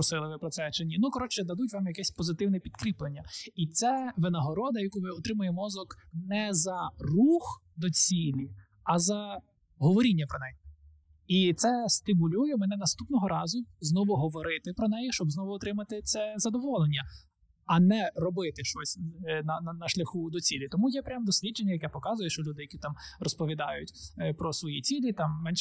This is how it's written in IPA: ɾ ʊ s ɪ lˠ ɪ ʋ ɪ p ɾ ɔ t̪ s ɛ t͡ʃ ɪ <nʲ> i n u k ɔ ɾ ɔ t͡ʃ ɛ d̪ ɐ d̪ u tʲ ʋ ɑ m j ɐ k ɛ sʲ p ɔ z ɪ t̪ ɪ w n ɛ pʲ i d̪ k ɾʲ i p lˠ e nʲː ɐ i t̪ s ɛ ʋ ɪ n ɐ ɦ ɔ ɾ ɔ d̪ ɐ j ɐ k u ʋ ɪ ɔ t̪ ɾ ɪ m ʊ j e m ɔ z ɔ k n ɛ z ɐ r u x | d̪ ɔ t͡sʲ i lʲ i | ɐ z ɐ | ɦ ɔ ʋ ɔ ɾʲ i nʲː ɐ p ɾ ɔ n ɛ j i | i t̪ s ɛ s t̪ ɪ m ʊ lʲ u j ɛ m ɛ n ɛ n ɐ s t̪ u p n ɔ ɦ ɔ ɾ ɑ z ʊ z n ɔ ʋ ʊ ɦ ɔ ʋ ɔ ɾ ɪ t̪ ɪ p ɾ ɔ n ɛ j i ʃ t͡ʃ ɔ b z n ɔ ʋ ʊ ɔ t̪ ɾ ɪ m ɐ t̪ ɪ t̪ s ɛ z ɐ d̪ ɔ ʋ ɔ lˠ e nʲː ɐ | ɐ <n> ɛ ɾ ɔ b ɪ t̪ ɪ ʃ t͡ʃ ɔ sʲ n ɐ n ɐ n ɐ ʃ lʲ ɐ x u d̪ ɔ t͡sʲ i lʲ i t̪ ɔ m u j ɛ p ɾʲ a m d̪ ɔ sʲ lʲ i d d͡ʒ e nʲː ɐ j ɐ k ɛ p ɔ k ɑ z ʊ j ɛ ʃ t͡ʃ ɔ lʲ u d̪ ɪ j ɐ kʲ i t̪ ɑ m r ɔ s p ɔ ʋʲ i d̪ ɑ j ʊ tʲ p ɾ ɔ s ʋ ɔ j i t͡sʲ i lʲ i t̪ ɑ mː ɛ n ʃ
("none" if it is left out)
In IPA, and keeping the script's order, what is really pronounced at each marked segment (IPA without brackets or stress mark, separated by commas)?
nʲ, n